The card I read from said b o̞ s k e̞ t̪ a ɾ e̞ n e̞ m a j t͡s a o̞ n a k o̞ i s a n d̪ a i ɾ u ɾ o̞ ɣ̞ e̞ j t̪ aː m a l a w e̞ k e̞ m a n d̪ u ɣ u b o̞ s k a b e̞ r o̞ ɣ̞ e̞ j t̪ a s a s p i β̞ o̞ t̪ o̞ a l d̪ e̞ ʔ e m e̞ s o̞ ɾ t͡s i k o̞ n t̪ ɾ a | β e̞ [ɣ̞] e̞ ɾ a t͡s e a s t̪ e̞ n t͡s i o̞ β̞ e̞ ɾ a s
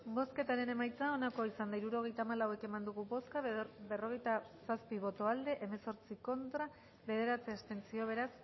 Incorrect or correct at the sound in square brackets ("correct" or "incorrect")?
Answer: incorrect